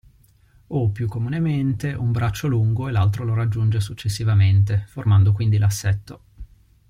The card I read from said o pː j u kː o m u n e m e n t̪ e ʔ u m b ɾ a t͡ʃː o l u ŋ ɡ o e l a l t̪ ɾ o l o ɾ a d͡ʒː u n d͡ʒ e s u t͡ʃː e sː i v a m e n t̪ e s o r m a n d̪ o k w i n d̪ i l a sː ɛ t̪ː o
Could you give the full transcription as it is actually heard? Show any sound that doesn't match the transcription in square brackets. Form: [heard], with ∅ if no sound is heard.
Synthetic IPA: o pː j u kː o m u n e m e n t̪ e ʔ u m b ɾ a t͡ʃː o l u ŋ ɡ o e l a l t̪ ɾ o l o ɾ a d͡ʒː u n d͡ʒ e s u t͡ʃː e sː i v a m e n t̪ e [f] o r m a n d̪ o k w i n d̪ i l a sː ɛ t̪ː o